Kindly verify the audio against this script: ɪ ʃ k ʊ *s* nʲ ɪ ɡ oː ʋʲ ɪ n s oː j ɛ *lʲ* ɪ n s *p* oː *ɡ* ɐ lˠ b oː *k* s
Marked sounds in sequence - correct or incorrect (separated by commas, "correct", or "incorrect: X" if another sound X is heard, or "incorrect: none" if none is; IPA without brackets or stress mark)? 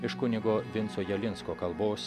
incorrect: none, correct, incorrect: k, incorrect: k, incorrect: none